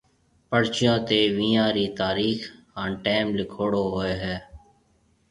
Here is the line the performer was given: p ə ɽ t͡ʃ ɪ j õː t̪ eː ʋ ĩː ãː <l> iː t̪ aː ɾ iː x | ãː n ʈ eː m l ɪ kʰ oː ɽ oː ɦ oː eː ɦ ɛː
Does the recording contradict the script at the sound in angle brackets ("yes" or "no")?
yes